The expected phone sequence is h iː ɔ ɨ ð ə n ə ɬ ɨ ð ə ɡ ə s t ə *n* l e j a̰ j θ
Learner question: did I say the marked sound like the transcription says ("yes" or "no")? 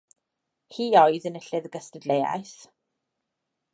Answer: no